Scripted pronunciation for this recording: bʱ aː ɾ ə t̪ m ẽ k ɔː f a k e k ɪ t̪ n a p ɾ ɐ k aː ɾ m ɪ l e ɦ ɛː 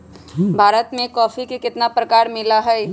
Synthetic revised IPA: bʱ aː ɾ ə t̪ m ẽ k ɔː f i k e k ɪ t̪ n a p ɾ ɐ k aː ɾ m ɪ l a ɦ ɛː